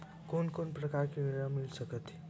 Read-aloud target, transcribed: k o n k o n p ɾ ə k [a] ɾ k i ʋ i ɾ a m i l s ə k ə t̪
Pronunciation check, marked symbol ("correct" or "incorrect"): correct